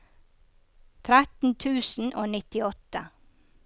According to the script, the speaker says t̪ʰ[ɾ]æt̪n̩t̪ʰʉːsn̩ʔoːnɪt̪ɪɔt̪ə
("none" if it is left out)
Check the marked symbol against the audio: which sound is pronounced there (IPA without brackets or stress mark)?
ɾ